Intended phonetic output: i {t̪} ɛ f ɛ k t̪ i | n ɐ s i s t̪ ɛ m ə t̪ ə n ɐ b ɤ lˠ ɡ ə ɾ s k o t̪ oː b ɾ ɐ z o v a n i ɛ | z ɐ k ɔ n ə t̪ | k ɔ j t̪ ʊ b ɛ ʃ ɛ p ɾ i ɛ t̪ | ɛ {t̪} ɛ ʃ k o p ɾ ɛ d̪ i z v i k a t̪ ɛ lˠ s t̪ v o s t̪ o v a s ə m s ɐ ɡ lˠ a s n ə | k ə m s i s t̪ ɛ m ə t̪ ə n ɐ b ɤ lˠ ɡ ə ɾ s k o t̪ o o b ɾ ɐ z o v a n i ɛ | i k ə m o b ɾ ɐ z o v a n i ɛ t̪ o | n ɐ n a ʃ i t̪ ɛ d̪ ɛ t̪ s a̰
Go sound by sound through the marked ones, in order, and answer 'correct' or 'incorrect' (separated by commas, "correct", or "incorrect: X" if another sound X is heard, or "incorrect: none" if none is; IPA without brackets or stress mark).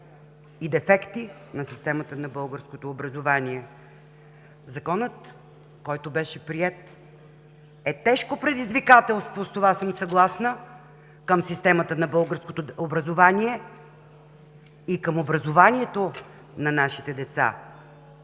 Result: incorrect: d̪, correct